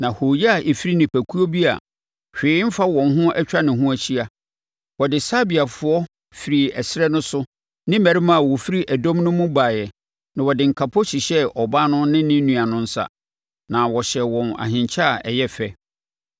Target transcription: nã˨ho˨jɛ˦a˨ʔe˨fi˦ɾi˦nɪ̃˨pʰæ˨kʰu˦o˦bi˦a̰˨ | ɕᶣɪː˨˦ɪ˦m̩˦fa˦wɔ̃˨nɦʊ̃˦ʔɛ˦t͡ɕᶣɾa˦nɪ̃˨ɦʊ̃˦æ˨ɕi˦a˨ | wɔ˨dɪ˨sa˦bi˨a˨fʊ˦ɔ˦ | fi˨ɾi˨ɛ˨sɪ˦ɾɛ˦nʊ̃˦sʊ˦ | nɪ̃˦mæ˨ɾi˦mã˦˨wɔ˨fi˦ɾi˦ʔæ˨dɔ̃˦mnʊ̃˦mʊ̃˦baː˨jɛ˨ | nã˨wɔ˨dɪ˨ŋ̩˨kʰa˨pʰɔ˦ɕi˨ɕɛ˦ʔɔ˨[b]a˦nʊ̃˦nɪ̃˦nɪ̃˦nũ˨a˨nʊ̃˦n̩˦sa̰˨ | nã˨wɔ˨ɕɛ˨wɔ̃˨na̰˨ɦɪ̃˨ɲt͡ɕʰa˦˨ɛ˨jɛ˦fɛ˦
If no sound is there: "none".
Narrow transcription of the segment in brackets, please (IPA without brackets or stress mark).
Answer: b